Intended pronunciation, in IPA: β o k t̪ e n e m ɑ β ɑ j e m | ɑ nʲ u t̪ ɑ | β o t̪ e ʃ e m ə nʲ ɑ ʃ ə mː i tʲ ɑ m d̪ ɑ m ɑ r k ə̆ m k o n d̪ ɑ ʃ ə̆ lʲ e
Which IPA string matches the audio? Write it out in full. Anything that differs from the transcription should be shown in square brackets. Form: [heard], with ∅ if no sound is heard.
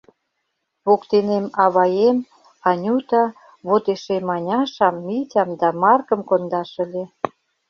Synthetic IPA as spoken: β o k t̪ e n e m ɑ β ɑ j e m | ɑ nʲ u t̪ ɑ | β o t̪ e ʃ e m [ɑ] nʲ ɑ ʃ [ɑ] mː i tʲ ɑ m d̪ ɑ m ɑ r k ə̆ m k o n d̪ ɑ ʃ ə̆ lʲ e